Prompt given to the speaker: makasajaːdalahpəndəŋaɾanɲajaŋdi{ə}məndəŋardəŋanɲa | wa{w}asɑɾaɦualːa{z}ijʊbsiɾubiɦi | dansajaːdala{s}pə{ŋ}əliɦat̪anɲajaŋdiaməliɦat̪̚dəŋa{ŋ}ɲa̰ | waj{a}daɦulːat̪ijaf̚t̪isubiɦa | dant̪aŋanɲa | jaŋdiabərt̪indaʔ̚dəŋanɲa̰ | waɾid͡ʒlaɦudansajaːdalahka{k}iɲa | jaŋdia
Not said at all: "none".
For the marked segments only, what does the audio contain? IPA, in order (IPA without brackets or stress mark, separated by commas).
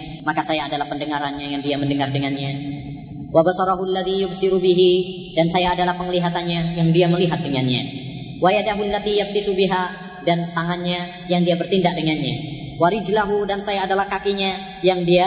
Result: a, b, ð, h, ŋ, n, a, k